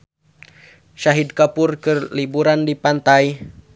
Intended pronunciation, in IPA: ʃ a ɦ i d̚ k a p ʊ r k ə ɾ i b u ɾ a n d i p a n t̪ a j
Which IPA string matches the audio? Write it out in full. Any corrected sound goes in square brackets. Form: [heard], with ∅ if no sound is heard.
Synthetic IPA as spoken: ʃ a ɦ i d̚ k a p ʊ r k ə [l] i b u ɾ a n d i p a n t̪ a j